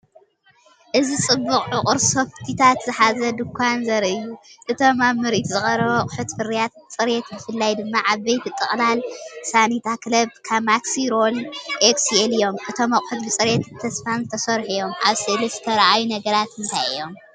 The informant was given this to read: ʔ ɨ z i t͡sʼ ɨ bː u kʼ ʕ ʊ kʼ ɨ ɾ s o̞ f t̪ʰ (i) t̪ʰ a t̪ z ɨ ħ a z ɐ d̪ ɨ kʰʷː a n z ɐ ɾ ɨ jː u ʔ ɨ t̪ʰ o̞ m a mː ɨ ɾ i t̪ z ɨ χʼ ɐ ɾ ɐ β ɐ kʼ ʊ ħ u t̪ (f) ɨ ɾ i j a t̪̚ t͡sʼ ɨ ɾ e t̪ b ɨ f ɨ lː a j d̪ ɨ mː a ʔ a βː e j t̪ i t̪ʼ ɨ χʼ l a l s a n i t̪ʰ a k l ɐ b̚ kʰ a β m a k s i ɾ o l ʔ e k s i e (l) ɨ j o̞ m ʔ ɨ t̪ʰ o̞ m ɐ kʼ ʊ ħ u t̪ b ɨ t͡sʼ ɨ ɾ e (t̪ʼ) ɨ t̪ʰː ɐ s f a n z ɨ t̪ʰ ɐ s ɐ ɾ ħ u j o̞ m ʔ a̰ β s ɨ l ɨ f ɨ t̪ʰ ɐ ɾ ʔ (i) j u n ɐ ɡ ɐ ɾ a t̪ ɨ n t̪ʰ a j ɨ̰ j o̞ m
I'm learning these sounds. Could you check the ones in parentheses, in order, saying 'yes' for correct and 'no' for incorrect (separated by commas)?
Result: yes, yes, yes, no, no